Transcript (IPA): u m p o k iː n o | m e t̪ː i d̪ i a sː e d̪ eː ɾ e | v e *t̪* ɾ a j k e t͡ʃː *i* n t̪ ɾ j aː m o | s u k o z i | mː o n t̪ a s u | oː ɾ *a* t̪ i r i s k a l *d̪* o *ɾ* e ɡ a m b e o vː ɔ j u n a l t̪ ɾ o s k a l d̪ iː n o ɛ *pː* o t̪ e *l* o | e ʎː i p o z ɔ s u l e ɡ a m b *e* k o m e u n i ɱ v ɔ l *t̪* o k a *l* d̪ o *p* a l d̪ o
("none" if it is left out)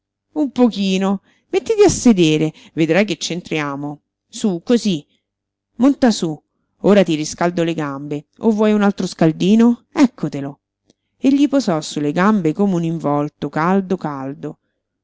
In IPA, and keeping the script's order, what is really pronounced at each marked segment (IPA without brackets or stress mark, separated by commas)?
d̪, e, a, d̪, l, kː, l, e, t̪, l, k